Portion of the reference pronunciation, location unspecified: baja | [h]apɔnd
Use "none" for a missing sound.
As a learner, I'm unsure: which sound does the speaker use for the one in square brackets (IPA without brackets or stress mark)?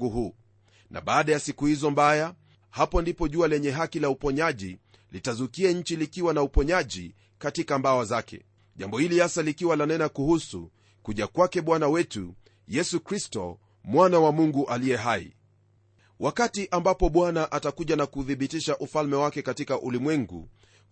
h